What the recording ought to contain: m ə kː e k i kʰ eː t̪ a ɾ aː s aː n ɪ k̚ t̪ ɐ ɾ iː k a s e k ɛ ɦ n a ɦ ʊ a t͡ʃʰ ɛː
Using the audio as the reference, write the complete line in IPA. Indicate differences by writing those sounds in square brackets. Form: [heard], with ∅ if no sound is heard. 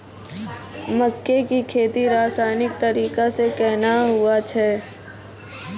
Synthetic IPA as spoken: m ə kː e k i kʰ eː t̪ [i] ɾ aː s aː n ɪ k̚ t̪ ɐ ɾ iː k a s e k ɛ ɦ n a ɦ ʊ a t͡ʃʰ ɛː